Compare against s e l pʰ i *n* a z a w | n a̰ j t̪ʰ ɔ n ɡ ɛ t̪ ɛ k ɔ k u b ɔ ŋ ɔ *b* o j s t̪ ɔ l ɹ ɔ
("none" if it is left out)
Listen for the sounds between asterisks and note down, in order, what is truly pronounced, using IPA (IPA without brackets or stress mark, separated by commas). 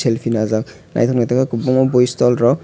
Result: n, b